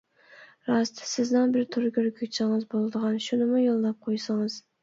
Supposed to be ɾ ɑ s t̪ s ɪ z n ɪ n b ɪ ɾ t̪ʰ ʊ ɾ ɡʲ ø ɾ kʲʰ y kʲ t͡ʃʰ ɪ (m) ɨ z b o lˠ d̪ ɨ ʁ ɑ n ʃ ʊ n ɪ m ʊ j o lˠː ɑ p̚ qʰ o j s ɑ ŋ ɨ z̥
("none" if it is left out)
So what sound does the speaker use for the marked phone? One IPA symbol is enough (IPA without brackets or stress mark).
ŋ